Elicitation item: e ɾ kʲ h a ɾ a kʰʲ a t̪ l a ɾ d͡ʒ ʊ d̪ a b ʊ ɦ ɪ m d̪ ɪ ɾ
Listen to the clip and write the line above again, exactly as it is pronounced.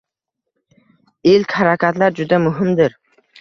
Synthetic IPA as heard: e l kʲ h a ɾ a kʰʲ a t̪ l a ɾ d͡ʒ ʊ d̪ a m ʊ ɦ ɪ m d̪ ɪ ɾ